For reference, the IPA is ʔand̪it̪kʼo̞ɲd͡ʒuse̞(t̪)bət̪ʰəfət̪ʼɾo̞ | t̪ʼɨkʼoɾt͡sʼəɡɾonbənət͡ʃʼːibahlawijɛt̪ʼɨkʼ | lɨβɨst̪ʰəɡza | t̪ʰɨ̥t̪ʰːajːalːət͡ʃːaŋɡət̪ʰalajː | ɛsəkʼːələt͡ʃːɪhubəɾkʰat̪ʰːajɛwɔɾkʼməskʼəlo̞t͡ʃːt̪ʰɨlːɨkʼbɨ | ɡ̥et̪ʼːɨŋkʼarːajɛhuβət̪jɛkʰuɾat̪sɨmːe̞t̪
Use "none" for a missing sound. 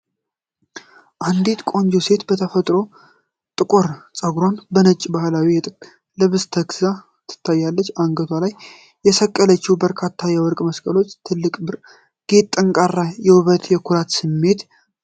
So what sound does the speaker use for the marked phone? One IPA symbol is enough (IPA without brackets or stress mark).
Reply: t̪